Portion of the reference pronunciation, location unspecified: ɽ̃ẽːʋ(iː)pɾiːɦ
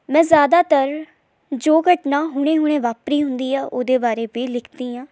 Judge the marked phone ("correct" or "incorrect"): incorrect